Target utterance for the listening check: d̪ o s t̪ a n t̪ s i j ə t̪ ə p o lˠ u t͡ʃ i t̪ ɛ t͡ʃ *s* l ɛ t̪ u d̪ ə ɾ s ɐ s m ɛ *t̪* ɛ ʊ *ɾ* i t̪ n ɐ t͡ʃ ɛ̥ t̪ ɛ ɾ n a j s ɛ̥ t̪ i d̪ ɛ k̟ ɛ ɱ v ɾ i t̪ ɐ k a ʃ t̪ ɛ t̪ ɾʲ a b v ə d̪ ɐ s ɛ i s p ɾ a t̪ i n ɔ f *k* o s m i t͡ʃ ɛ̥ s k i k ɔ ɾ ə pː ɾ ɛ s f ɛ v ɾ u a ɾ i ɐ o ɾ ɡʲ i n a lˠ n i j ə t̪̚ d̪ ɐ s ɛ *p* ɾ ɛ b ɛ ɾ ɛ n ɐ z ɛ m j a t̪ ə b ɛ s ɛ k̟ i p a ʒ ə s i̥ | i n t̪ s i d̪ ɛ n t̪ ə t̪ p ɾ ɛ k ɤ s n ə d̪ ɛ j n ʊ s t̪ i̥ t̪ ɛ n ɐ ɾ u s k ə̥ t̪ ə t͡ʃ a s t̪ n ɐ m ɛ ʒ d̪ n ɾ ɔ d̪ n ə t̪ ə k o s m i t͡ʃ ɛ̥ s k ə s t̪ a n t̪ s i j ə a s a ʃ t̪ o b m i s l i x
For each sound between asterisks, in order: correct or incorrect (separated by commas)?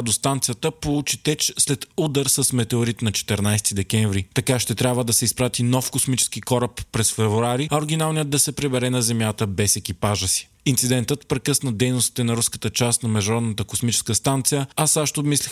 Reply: correct, correct, correct, correct, correct